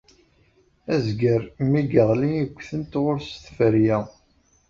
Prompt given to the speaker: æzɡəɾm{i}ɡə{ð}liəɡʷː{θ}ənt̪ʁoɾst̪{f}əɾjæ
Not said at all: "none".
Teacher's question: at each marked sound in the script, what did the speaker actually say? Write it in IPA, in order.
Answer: i, ʁ, θ, f

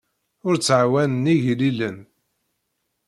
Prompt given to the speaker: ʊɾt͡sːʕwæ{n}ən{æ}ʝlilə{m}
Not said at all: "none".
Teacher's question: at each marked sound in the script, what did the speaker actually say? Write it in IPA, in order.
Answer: n, i, n

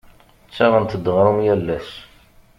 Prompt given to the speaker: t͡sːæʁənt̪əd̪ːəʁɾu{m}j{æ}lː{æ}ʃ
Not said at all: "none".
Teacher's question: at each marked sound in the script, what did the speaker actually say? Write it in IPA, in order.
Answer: m, æ, æ

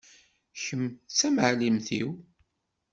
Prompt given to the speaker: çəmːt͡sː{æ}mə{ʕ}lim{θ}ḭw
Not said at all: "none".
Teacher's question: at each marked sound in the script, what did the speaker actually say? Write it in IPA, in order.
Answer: æ, ʕ, θ

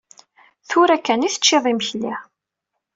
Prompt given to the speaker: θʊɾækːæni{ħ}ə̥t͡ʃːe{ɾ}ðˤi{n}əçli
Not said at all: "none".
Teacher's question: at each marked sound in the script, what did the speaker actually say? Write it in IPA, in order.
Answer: θ, none, m

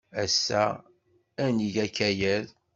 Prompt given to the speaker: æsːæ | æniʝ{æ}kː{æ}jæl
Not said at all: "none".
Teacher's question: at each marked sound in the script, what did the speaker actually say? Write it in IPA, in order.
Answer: æ, æ

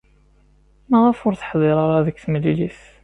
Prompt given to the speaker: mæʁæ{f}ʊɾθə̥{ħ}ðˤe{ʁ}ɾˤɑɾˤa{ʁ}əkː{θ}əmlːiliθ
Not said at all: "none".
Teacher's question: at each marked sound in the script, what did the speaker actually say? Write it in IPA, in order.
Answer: f, ħ, none, ð, θ

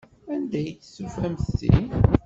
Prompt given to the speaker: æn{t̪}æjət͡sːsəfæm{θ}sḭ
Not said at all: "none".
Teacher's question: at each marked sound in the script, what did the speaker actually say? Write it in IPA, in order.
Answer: d̪, θ

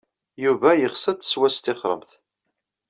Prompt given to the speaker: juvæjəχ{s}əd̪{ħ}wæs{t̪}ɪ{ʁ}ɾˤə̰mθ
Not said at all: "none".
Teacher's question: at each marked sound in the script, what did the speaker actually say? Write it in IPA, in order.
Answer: s, s, t̪, χ

